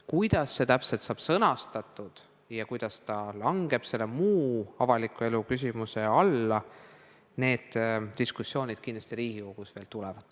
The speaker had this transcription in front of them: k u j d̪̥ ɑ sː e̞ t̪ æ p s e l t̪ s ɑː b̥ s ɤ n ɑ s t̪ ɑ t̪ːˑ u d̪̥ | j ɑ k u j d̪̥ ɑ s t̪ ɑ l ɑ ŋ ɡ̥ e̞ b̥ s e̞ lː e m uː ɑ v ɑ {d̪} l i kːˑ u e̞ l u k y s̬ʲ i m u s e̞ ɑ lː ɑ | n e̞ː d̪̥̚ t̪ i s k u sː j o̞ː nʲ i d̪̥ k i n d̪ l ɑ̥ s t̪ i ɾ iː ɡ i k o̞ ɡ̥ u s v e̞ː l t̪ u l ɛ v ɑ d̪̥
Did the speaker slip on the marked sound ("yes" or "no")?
yes